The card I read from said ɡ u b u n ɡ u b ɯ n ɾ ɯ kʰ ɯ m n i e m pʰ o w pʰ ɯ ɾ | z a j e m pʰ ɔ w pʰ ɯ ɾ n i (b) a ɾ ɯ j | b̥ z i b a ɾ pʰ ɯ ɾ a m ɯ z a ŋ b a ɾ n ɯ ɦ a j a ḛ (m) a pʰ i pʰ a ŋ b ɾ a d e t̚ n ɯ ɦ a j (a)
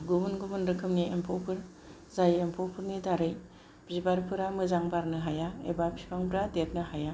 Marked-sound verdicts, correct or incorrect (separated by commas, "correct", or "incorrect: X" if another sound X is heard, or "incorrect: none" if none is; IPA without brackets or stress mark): incorrect: d, incorrect: b, correct